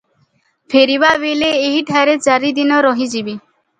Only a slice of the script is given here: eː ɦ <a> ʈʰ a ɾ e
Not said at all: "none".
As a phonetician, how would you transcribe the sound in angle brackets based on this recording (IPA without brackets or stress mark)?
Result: i